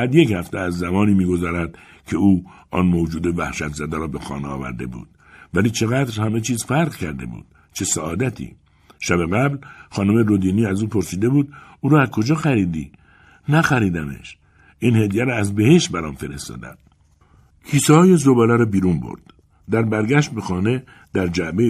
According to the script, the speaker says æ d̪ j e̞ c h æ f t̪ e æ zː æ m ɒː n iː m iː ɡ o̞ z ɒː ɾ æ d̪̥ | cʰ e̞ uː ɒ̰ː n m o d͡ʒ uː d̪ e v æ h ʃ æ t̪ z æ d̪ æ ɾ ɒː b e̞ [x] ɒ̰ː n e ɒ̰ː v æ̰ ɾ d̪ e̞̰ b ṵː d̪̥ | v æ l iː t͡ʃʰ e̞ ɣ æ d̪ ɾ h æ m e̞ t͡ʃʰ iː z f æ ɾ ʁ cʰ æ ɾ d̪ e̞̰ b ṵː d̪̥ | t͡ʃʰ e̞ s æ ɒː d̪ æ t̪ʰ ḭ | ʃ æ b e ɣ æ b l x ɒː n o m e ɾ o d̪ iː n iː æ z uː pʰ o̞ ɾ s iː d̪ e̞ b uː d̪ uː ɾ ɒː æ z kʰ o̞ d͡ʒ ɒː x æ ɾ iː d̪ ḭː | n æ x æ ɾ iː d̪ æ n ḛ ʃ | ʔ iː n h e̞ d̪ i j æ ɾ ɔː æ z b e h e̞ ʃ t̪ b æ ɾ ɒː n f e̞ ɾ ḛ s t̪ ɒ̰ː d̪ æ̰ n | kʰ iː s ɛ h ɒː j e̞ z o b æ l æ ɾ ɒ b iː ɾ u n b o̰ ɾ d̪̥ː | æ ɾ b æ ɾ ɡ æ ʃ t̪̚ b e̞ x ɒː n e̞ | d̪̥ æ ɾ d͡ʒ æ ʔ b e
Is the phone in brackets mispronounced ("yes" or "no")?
no